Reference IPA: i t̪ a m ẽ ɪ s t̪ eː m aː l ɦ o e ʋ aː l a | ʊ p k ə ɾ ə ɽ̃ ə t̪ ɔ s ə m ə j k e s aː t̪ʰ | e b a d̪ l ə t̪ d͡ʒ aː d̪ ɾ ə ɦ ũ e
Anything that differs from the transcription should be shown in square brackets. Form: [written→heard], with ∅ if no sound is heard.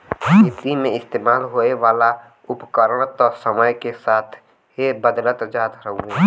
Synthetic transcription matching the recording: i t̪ [a→i] m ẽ ɪ s t̪ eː m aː l ɦ o e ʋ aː l a | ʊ p k ə ɾ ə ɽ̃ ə t̪ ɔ s ə m ə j k e s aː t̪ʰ | e b [a→ə] d̪ l ə t̪ d͡ʒ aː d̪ ɾ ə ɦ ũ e

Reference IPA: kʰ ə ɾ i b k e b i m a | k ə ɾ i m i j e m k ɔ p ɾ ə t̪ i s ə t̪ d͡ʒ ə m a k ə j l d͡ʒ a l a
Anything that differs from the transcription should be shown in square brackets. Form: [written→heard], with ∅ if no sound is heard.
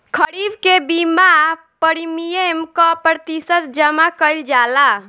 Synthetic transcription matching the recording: kʰ ə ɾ i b k e b i m a | [k→p] ə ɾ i m i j e m k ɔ p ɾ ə t̪ i s ə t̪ d͡ʒ ə m a k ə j l d͡ʒ a l a

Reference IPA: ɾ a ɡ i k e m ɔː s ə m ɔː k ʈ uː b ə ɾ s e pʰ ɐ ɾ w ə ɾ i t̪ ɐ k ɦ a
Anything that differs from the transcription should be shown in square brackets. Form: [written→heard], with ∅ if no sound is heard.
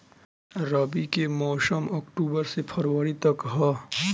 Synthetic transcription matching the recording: ɾ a [ɡ→b] i k e m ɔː s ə m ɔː k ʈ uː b ə ɾ s e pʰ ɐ ɾ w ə ɾ i t̪ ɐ k ɦ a

